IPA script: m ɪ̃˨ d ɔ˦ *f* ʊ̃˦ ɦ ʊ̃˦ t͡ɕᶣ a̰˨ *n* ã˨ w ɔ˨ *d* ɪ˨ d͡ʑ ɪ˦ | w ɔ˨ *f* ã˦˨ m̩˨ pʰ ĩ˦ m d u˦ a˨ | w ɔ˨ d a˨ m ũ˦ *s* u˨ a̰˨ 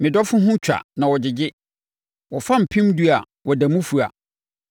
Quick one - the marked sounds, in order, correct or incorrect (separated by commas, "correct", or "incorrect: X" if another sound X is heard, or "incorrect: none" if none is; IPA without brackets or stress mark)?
correct, correct, incorrect: d͡ʑ, correct, incorrect: f